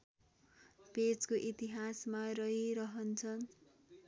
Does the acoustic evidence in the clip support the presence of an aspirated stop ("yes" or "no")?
yes